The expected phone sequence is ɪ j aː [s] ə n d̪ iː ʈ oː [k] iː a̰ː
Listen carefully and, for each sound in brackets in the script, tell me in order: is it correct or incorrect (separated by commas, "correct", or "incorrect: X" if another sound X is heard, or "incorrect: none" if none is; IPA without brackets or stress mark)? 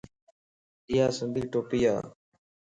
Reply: correct, incorrect: p